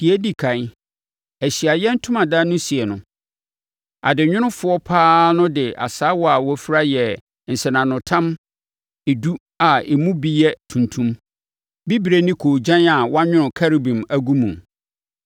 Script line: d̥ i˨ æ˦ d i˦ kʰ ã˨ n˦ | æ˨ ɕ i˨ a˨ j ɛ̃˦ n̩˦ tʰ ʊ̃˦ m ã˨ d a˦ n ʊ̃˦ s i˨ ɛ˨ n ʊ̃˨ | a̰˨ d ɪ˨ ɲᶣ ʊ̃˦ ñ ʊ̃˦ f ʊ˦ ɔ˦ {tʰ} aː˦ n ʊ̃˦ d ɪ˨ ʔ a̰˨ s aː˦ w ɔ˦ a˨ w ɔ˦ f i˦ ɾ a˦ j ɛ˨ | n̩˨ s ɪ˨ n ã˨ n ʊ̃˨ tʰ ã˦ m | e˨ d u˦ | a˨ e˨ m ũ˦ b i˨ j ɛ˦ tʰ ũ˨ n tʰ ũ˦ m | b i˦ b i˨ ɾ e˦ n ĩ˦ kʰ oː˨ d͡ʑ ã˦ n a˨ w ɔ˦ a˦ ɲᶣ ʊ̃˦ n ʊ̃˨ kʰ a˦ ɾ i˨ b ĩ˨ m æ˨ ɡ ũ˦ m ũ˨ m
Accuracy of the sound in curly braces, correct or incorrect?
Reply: incorrect